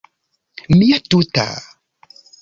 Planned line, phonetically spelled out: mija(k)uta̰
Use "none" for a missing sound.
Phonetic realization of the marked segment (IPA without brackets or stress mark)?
t